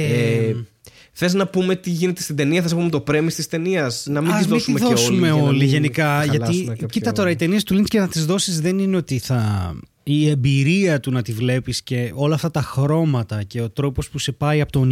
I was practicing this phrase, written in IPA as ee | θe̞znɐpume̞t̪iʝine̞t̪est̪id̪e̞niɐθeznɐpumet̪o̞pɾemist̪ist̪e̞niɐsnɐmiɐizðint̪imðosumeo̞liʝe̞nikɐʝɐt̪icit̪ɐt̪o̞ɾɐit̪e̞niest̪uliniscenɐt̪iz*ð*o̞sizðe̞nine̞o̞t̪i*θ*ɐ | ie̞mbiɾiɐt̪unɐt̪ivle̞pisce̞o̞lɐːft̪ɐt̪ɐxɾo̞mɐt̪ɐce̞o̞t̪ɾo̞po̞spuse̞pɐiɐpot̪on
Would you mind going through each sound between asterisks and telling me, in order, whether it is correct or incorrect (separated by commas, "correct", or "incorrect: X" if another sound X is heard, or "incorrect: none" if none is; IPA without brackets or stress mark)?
correct, correct